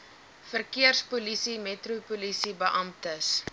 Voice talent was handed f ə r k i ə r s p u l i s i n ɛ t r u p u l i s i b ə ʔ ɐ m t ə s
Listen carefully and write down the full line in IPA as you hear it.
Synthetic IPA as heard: f ə r k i ə r s p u l i s i m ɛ t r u p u l i s i b ə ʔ ɐ m t ə s